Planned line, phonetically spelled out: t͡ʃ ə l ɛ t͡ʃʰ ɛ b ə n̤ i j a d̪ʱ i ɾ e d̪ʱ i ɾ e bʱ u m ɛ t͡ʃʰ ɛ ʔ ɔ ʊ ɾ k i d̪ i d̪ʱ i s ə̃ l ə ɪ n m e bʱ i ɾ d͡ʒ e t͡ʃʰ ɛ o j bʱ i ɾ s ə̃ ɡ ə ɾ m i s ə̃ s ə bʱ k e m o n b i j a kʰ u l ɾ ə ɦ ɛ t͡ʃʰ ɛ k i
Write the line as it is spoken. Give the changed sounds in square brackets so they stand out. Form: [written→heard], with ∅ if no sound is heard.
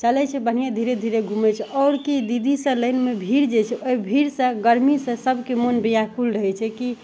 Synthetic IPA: t͡ʃ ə l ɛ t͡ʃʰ ɛ b ə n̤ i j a d̪ʱ i ɾ e d̪ʱ i ɾ e [bʱ→ɡʱ] u m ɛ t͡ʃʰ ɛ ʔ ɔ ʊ ɾ k i d̪ i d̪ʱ i s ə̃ l ə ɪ n m e bʱ i ɾ d͡ʒ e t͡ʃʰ ɛ o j bʱ i ɾ s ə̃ ɡ ə ɾ m i s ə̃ s ə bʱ k e m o n b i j a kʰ u l ɾ ə ɦ ɛ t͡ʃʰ ɛ k i

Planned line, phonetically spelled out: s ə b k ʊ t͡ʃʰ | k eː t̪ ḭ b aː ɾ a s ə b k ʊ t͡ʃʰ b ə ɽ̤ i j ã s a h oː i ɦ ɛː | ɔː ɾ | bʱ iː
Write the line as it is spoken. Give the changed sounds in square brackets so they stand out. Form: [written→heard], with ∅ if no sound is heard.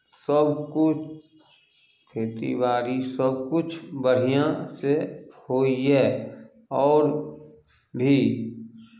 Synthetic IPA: s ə b k ʊ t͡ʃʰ | [k→kʰ] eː t̪ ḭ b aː ɾ [a→i] s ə b k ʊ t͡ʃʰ b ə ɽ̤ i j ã s [a→e] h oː i ɦ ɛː | ɔː ɾ | bʱ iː

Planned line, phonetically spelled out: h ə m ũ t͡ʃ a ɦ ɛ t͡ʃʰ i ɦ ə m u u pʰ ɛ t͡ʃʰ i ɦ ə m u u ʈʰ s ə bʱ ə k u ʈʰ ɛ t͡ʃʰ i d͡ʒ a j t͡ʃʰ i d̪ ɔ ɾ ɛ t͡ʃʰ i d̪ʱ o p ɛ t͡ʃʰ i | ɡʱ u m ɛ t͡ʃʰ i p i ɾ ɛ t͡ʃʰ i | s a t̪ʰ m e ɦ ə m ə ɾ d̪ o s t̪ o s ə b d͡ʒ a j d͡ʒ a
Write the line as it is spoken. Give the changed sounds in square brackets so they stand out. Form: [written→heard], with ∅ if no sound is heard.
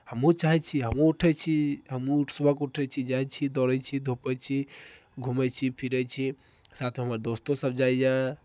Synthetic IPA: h ə m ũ t͡ʃ a ɦ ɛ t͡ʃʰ i ɦ ə m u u [pʰ→ʈʰ] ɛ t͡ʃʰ i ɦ ə m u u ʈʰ s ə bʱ ə k u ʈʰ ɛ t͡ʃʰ i d͡ʒ a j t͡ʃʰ i d̪ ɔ ɾ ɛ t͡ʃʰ i d̪ʱ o p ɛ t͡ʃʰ i | ɡʱ u m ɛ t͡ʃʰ i [p→pʰ] i ɾ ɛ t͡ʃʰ i | s a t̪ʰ m e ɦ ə m ə ɾ d̪ o s t̪ o s ə b d͡ʒ a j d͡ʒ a

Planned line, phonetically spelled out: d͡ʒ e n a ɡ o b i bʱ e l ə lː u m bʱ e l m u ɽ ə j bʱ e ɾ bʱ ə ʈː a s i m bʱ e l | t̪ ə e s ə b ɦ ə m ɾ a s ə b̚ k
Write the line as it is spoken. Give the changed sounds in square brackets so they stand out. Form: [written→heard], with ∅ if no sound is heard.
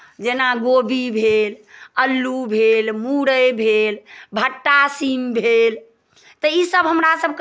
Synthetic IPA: d͡ʒ e n a ɡ o b i bʱ e l ə lː u [m→∅] bʱ e l m u ɽ ə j bʱ e [ɾ→l] bʱ ə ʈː a s i m bʱ e l | t̪ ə [e→i] s ə b ɦ ə m ɾ a s ə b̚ k

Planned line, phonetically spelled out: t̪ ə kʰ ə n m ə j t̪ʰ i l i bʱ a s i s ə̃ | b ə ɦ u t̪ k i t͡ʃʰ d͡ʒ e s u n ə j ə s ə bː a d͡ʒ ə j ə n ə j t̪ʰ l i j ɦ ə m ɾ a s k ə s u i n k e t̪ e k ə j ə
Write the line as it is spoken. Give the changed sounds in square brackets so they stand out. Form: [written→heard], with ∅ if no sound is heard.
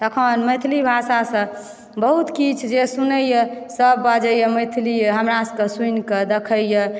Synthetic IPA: t̪ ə kʰ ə n m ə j t̪ʰ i l i bʱ a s [i→a] s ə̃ | b ə ɦ u t̪ k i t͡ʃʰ d͡ʒ e s u n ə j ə s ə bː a d͡ʒ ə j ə [n→m] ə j t̪ʰ l i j ɦ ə m ɾ a s k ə s u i n k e [t̪→d̪] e [k→kʰ] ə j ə

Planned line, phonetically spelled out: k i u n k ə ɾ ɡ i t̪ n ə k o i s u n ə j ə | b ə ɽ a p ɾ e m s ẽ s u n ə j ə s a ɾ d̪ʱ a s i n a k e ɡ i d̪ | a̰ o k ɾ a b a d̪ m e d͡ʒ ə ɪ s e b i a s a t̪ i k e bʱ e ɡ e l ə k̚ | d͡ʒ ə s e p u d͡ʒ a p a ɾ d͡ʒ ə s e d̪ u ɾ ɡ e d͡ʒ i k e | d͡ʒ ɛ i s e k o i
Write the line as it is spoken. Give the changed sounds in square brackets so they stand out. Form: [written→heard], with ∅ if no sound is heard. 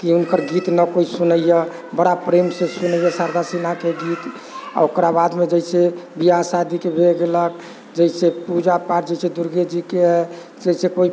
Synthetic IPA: k i u n k ə ɾ ɡ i t̪ n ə k o i s u n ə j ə | b ə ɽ a p ɾ e m s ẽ s u n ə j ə s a ɾ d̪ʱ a s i n a k e ɡ i [d̪→t̪] | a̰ o k ɾ a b a d̪ m e d͡ʒ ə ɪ s e b i a s a [t̪→d̪] i k e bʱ e ɡ e l ə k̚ | d͡ʒ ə s e p u d͡ʒ a p a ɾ d͡ʒ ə s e d̪ u ɾ ɡ e d͡ʒ i k e | d͡ʒ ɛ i s e k o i

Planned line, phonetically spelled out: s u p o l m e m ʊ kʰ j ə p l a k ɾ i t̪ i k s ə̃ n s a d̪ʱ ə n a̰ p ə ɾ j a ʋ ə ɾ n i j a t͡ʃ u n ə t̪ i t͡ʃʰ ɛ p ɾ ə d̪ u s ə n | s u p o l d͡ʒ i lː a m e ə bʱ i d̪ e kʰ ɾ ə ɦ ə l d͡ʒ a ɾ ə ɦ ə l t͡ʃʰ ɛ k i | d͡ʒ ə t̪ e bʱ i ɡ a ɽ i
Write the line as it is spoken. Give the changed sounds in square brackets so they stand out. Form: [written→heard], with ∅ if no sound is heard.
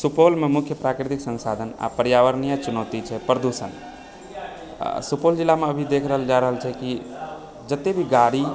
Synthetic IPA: s u p o l m e m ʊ kʰ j ə p [l→ɾ] a k ɾ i t̪ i k s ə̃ n s a d̪ʱ ə n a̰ p ə ɾ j a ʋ ə ɾ n i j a t͡ʃ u n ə t̪ i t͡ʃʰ ɛ p ɾ ə d̪ u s ə n | s u p o l d͡ʒ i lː a m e ə bʱ i d̪ e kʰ ɾ ə ɦ ə l d͡ʒ a ɾ ə ɦ ə l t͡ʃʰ ɛ k i | d͡ʒ ə t̪ e bʱ i ɡ a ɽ i

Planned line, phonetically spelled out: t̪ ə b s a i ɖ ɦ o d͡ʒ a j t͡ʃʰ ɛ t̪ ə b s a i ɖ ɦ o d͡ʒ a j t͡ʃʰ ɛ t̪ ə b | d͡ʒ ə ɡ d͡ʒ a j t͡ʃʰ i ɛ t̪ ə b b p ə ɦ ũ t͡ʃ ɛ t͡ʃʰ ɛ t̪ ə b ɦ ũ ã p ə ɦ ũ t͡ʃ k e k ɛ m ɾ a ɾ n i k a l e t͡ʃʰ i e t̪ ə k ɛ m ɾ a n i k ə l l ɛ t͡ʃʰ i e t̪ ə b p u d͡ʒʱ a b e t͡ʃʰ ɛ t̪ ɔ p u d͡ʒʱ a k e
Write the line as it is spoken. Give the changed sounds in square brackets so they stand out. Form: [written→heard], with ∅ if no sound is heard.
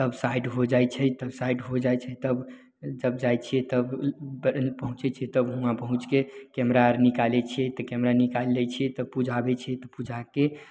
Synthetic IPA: t̪ ə b s a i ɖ ɦ o d͡ʒ a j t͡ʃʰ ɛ t̪ ə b s a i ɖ ɦ o d͡ʒ a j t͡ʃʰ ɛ t̪ ə b | d͡ʒ ə [ɡ→b] d͡ʒ a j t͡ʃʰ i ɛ t̪ ə b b p ə ɦ ũ t͡ʃ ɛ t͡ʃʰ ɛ t̪ ə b ɦ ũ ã p ə ɦ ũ t͡ʃ k e k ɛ m ɾ a ɾ n i k a l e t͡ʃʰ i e t̪ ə k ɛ m ɾ a n i k [ə→a] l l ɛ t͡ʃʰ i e t̪ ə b p u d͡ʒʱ a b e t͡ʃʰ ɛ t̪ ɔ p u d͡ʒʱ a k e

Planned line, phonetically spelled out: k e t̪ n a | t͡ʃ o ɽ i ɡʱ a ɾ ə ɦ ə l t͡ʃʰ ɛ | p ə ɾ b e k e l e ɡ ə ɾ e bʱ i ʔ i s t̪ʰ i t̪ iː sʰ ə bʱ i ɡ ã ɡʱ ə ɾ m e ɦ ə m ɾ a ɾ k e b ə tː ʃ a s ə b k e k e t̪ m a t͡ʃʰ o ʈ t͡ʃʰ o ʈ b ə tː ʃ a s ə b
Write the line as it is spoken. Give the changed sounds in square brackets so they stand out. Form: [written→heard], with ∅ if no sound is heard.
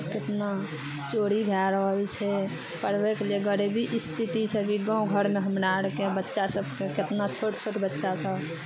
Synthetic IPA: k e t̪ n a | t͡ʃ o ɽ i ɡʱ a ɾ ə ɦ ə l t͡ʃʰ ɛ | p ə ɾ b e k e l e ɡ ə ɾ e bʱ i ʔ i s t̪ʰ i t̪ [iː→i] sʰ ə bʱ i ɡ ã ɡʱ ə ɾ m e ɦ ə m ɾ a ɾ k e b ə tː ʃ a s ə b k e k e t̪ [m→n] a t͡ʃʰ o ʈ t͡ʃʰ o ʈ b ə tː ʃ a s ə b

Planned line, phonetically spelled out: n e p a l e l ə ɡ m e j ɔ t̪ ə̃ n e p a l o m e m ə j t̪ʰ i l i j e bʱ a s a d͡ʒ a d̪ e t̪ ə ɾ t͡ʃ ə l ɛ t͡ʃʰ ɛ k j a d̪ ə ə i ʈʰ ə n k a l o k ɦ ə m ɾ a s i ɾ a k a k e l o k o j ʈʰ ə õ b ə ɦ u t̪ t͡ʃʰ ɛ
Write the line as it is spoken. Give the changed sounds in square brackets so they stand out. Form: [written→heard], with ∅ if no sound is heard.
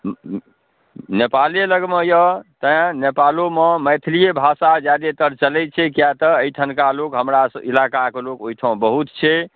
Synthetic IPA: n e p a l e l ə ɡ m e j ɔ t̪ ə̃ n e p a l o m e m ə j t̪ʰ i l i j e bʱ a s a d͡ʒ a d̪ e t̪ ə ɾ t͡ʃ ə l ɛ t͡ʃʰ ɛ k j a [d̪→t̪] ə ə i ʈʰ ə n k a l o k ɦ ə m ɾ a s i [ɾ→l] a k a k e l o k o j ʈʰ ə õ b ə ɦ u t̪ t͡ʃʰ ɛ

